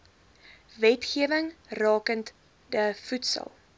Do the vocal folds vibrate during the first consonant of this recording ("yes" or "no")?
yes